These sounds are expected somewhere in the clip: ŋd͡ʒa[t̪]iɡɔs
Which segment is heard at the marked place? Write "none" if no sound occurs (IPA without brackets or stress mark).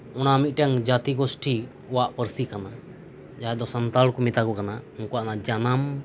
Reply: t̪